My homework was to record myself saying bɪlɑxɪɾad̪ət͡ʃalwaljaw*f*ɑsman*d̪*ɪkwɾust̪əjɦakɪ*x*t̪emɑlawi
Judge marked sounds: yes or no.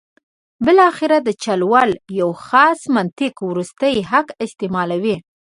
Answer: no, no, no

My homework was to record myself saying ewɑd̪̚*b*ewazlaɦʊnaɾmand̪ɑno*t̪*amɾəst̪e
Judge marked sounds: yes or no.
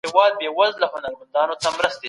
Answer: yes, yes

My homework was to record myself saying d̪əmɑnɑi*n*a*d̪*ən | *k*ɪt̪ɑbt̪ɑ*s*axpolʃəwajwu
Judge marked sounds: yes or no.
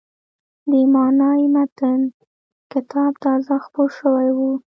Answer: no, no, yes, no

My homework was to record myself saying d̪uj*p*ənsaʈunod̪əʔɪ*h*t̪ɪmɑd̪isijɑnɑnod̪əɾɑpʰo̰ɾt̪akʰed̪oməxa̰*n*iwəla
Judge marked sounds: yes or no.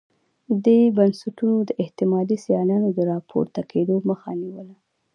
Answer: no, yes, yes

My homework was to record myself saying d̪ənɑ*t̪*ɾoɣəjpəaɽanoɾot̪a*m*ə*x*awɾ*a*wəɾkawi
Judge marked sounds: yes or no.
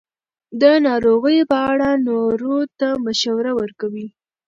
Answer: no, yes, no, yes

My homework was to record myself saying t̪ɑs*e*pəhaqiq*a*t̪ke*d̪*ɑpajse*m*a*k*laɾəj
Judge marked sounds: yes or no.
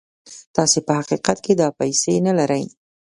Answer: yes, yes, yes, no, no

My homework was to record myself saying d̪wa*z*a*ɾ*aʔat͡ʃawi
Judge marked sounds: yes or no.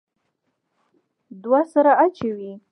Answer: no, yes

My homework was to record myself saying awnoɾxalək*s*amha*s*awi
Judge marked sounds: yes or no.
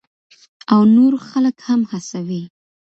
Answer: no, yes

